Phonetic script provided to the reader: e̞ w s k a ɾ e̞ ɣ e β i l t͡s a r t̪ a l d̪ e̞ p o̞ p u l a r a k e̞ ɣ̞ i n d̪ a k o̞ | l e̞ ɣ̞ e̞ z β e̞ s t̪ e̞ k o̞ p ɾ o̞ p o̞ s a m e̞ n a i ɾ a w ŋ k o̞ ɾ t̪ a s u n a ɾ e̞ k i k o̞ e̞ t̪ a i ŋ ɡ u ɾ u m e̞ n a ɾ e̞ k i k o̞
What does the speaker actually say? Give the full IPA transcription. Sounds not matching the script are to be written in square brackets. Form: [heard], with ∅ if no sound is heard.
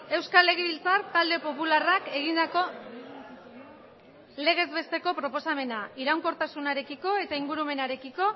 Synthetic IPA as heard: e̞ w s k a [l] e̞ ɣ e β i l t͡s a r t̪ a l d̪ e̞ p o̞ p u l a r a k e̞ ɣ̞ i n d̪ a k o̞ | l e̞ ɣ̞ e̞ z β e̞ s t̪ e̞ k o̞ p ɾ o̞ p o̞ s a m e̞ n a i ɾ a w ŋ k o̞ ɾ t̪ a s u n a ɾ e̞ k i k o̞ e̞ t̪ a i ŋ ɡ u ɾ u m e̞ n a ɾ e̞ k i k o̞